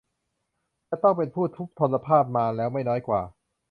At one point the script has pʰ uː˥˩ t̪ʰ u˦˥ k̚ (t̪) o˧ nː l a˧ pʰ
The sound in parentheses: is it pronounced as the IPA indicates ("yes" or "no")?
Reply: no